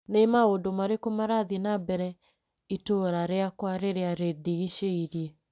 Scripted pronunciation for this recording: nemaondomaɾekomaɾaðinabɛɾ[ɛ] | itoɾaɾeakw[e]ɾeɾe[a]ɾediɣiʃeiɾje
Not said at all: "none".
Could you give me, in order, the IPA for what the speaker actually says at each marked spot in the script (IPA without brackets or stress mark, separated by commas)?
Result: ɛ, a, a